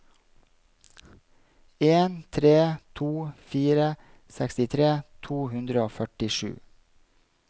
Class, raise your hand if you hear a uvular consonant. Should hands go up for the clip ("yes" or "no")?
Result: no